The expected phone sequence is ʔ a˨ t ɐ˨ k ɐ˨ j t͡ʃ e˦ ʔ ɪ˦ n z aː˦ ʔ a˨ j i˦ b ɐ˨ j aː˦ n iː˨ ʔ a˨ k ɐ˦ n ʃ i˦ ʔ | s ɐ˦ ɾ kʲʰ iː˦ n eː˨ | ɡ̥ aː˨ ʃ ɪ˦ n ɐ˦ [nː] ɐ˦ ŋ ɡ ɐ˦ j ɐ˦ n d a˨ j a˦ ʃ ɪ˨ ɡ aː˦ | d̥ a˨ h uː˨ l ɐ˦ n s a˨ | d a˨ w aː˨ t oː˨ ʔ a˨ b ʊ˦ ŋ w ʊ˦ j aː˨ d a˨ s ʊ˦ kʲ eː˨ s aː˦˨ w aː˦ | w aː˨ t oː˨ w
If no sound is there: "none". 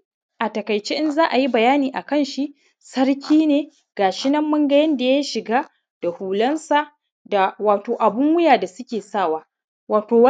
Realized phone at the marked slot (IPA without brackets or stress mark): mː